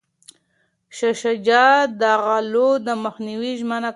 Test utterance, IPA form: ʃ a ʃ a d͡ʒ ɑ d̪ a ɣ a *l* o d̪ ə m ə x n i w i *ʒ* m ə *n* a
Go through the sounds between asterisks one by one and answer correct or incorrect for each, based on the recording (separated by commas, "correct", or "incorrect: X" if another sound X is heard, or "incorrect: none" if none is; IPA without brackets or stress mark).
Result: correct, correct, correct